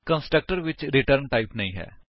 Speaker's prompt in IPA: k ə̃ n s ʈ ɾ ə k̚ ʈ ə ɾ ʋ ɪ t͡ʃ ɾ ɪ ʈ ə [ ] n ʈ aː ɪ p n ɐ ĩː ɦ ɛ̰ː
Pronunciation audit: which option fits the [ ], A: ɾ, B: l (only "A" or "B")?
A